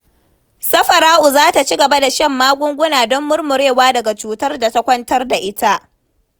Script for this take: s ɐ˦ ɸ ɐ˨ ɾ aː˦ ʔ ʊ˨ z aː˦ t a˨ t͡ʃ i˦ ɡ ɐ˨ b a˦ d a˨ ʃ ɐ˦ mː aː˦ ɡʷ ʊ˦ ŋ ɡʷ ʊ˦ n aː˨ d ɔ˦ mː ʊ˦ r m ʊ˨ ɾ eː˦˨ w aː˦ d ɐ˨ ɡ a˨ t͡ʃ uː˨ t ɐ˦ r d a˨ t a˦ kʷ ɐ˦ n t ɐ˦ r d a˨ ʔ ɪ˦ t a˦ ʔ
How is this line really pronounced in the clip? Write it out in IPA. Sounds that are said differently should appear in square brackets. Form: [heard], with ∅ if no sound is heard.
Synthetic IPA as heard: s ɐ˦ ɸ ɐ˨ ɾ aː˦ ʔ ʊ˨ z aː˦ t a˨ t͡ʃ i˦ ɡ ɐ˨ b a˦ d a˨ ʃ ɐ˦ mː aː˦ ɡʷ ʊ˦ ŋ ɡʷ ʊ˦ n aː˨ d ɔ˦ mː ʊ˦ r m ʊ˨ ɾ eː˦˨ w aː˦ d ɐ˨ ɡ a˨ t͡ʃ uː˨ t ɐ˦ r d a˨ t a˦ kʷ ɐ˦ n t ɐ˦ r d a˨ ʔ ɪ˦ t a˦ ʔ